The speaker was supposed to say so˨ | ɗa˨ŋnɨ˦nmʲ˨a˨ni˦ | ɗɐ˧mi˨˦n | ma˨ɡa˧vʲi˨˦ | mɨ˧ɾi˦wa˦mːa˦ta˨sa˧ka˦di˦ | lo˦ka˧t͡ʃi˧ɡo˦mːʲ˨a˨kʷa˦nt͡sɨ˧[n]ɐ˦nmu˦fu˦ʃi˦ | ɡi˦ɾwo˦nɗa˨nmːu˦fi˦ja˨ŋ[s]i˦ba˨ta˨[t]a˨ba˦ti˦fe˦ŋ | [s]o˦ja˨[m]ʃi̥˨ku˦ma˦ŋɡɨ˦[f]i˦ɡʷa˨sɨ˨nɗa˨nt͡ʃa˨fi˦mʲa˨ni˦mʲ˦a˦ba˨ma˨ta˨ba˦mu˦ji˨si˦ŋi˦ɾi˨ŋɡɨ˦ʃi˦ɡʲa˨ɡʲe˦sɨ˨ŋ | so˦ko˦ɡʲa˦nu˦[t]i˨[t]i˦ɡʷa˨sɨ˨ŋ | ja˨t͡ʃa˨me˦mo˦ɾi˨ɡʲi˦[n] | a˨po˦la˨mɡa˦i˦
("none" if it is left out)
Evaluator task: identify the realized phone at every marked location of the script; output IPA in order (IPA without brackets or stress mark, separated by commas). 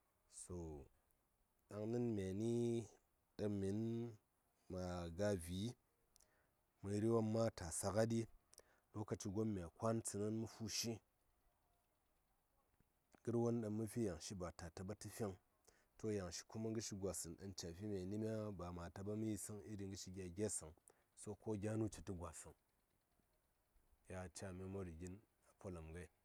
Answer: n, ʃ, t, t, ŋ, ʃ, t͡ʃ, t, n